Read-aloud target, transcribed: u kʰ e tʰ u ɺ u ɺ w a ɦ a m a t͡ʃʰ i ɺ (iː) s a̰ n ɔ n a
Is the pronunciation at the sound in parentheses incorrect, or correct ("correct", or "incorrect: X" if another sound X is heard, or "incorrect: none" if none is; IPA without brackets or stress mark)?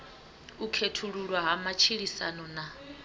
incorrect: i